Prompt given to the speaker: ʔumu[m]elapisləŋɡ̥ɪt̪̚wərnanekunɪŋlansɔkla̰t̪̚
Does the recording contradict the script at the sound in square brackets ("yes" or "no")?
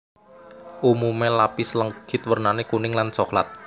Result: no